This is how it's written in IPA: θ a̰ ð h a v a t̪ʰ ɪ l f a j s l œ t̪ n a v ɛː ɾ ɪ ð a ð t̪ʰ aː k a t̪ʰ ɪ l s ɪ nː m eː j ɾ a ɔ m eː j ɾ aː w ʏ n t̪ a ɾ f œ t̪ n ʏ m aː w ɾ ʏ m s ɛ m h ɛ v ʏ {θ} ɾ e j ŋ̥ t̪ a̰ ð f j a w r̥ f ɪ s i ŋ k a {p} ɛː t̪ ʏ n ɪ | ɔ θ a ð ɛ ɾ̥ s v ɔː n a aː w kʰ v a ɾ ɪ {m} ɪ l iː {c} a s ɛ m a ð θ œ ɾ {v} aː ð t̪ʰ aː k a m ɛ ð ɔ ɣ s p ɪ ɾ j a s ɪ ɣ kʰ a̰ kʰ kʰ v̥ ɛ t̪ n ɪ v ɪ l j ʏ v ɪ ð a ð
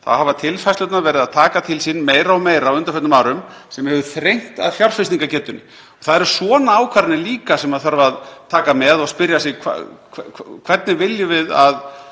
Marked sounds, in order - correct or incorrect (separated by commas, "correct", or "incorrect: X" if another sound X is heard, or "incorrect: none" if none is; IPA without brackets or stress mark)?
correct, incorrect: c, incorrect: n, incorrect: k, correct